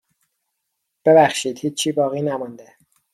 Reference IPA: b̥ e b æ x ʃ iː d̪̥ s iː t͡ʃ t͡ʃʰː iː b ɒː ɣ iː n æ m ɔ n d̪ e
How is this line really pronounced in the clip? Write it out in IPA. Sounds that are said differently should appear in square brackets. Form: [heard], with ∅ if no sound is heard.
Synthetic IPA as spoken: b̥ e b æ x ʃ iː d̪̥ [h] iː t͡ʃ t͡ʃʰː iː b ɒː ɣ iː n æ m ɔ n d̪ e